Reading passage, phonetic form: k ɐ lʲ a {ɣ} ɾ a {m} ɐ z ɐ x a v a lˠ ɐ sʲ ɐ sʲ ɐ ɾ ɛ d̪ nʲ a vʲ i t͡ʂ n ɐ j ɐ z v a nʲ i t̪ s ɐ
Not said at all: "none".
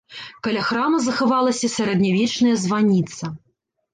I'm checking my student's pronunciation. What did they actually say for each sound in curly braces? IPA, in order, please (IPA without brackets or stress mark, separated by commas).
x, m